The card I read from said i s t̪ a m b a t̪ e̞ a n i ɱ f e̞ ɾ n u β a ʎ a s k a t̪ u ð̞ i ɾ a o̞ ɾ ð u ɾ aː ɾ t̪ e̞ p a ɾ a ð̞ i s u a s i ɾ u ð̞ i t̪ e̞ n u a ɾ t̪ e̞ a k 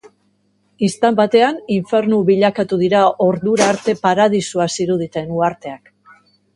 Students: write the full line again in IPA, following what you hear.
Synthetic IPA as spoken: i s t̪ a m b a t̪ e̞ a n i ɱ f e̞ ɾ n u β i ʎ a k a t̪ u ð̞ i ɾ a o̞ ɾ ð u ɾ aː ɾ t̪ e̞ p a ɾ a ð̞ i s u a s i ɾ u ð̞ i t̪ e̞ n u a ɾ t̪ e̞ a k